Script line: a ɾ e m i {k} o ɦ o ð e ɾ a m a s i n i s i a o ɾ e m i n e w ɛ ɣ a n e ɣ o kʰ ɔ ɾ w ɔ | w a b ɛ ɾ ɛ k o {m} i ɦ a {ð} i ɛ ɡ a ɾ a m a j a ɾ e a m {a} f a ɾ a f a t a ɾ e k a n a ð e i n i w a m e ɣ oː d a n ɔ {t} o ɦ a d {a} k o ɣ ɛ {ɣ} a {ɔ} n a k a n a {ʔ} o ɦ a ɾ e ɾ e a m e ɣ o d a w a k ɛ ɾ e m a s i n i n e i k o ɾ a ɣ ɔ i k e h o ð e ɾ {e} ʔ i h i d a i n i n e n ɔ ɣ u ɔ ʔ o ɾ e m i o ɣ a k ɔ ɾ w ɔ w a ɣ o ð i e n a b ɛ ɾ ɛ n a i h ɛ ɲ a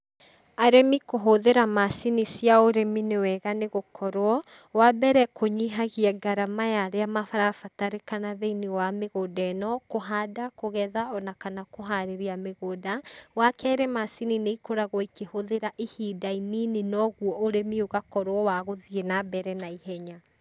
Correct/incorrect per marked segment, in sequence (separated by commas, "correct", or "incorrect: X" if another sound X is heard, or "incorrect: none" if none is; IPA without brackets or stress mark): correct, incorrect: ɲ, incorrect: ɣ, correct, incorrect: k, correct, incorrect: ð, correct, incorrect: k, incorrect: a